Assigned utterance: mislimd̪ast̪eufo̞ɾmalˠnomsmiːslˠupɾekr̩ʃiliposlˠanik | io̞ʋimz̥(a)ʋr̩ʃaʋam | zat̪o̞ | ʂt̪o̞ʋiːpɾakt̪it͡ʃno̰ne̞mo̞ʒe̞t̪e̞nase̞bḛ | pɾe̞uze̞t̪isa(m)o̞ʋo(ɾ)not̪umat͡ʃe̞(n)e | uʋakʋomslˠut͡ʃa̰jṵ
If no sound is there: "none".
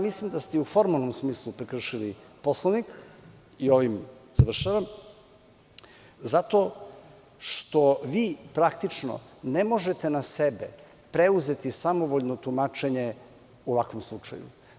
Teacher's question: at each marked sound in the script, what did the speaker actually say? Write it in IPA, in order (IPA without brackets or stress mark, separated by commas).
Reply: a, m, ʎ, ɲ